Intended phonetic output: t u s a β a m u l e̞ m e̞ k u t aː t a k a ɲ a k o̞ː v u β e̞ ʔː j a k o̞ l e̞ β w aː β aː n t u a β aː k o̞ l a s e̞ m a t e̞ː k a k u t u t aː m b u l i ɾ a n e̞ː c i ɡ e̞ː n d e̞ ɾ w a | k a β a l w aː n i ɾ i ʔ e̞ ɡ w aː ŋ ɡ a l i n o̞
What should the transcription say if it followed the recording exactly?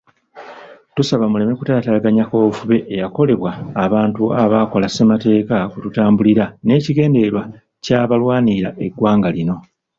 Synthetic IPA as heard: t u s a β a m u l e̞ m e̞ k u t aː t a ɡ a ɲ a k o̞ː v u β e̞ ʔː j a k o̞ l e̞ β w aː β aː n t u a β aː k o̞ l a s e̞ m a t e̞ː k a k u t u t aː m b u l i ɾ a n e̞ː c i ɡ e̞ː n d e̞ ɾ w a | c a β a l w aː n i ɾ a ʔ e̞ ɡ w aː ŋ ɡ a l i n o̞